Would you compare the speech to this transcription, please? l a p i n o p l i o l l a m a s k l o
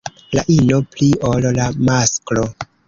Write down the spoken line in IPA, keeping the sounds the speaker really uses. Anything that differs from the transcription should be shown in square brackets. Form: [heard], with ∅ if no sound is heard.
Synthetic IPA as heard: l a [ʔ] i n o p l i o l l a m a s k l o